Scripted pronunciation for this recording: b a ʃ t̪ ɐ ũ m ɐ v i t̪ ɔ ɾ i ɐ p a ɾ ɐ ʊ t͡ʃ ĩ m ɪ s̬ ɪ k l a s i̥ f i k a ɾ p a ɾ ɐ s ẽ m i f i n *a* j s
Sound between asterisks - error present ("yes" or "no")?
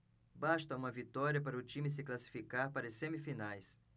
no